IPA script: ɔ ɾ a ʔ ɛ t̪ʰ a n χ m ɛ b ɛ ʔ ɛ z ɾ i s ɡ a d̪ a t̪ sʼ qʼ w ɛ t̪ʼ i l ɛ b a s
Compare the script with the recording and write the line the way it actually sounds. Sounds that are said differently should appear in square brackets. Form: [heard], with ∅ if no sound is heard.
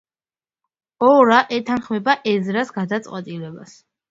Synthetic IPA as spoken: ɔ ɾ a ʔ ɛ t̪ʰ a n χ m ɛ b [a] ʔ ɛ z ɾ [a] s ɡ a d̪ a t̪ sʼ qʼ w ɛ t̪ʼ i l ɛ b a s